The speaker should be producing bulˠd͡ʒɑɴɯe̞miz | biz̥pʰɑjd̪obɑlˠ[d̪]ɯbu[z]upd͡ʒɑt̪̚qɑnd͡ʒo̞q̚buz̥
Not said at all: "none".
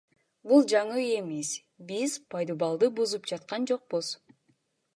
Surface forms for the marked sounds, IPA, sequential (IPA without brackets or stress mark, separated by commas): d̪, z